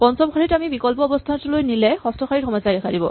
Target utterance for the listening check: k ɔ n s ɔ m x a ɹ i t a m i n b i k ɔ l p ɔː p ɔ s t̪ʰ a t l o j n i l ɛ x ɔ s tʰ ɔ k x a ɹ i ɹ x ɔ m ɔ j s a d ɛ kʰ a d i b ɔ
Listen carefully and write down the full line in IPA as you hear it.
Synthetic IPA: p ɔ n s ɔ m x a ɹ i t a m i b i k ɔ l p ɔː b ɔ s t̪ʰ a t l o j n i l ɛ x ɔ s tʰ ɔ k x a ɹ i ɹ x ɔ m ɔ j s a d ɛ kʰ a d i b ɔ